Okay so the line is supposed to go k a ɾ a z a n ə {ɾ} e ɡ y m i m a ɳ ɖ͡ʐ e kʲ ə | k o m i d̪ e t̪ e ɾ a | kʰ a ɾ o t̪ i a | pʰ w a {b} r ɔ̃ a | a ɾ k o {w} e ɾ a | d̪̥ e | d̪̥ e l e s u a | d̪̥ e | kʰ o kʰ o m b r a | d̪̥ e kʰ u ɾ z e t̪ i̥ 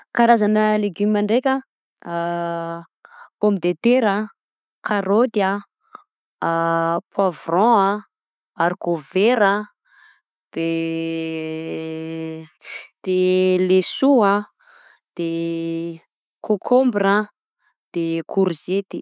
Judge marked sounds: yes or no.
no, no, no

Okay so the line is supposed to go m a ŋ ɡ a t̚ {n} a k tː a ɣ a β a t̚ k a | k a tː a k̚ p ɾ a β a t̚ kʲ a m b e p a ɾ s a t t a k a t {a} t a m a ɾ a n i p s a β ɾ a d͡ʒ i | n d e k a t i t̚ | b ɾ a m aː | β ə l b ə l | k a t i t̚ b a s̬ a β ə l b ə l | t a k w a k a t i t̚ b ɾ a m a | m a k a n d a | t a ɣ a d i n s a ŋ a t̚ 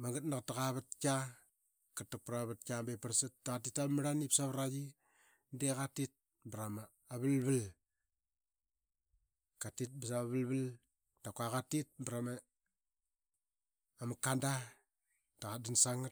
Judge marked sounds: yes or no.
yes, no

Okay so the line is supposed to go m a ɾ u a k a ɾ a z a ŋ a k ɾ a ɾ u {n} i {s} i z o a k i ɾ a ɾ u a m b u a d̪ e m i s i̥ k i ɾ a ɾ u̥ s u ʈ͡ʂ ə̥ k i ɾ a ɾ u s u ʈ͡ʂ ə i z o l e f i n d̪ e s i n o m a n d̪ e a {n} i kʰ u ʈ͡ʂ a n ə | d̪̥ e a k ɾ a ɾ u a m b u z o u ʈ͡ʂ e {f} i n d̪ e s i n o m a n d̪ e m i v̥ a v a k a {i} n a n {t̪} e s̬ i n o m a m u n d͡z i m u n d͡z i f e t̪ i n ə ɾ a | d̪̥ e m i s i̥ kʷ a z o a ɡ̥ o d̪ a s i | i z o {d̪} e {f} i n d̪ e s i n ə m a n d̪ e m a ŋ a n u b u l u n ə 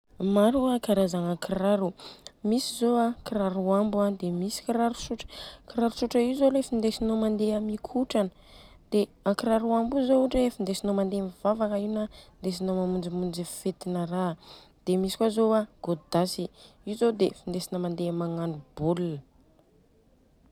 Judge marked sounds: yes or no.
no, yes, no, yes, yes, no, yes, yes

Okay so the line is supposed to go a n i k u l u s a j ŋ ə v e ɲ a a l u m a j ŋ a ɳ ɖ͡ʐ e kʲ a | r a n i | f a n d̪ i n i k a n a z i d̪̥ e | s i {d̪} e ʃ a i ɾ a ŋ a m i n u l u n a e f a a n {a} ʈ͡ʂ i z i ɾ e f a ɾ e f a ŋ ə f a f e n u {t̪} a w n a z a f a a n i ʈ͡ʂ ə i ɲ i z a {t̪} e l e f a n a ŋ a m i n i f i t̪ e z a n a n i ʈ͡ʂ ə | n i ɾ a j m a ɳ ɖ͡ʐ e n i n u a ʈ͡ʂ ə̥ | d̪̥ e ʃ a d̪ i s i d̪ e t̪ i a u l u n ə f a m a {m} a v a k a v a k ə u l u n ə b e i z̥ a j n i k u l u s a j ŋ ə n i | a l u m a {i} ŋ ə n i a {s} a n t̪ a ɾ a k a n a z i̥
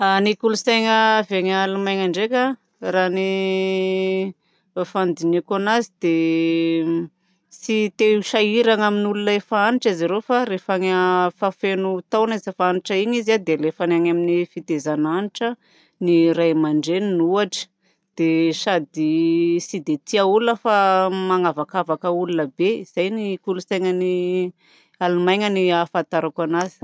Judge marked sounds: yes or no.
no, no, yes, no, no, no, no

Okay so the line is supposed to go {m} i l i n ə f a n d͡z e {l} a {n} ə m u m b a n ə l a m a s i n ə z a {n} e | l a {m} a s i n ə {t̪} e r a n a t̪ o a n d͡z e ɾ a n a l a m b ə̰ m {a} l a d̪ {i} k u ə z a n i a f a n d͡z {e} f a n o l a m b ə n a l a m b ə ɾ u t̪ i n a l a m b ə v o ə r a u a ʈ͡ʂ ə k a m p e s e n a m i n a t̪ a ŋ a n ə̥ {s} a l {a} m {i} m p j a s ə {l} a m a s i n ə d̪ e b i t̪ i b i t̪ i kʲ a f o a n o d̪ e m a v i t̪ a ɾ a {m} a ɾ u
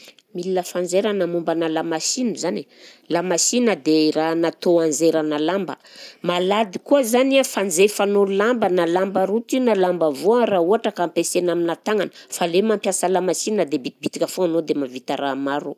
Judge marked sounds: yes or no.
yes, no, yes, yes, yes, no, yes, yes, yes, no, no, no, yes, yes

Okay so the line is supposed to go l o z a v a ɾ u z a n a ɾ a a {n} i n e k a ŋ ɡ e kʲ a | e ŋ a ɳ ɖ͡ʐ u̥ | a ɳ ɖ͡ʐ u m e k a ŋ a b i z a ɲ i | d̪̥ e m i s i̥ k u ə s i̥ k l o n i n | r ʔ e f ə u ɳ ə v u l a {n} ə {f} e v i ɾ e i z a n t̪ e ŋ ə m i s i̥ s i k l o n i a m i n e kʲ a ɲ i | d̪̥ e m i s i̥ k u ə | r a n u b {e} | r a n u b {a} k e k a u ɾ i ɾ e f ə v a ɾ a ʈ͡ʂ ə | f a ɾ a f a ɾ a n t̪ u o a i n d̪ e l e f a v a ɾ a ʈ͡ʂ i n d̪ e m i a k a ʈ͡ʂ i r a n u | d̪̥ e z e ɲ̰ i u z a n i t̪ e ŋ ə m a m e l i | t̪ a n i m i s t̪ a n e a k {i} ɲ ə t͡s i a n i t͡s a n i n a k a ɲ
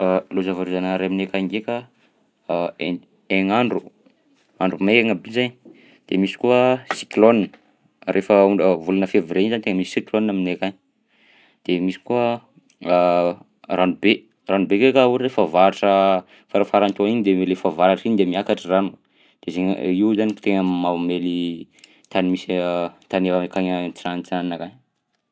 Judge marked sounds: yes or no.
no, yes, yes, yes, no, no

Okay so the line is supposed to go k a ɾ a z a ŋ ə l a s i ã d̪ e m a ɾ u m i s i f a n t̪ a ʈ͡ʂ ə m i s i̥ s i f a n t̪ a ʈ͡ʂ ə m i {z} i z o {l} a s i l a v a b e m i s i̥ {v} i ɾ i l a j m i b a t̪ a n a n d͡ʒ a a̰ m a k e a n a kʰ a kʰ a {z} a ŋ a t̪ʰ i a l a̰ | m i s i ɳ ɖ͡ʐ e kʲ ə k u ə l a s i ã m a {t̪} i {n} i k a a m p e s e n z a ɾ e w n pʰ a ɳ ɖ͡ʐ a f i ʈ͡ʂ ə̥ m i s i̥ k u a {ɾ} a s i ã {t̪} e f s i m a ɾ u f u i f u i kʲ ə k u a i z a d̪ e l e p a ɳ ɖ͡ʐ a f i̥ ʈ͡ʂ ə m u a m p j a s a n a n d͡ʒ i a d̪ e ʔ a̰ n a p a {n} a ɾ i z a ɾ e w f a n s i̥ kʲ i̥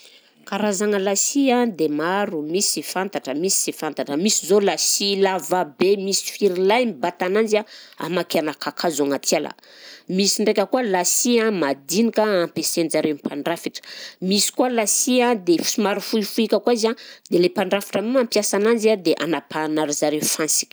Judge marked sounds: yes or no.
no, yes, no, yes, no, yes, no, no, yes

